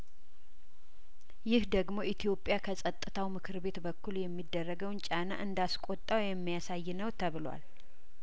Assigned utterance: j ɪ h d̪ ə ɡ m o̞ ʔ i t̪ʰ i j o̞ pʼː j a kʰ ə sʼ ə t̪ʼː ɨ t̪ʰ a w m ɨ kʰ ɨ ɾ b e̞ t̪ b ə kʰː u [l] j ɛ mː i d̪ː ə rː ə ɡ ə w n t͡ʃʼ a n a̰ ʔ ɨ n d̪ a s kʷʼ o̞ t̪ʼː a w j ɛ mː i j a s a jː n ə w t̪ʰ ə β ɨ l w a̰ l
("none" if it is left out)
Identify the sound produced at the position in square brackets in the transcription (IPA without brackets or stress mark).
l